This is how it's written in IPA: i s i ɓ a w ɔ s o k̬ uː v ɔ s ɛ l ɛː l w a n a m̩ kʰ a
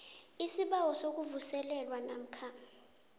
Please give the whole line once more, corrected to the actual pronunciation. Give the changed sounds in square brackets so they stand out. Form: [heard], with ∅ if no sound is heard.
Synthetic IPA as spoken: i s i ɓ a w ɔ s o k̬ [u] v [u] s ɛ l [ɛ] l w a n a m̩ kʰ a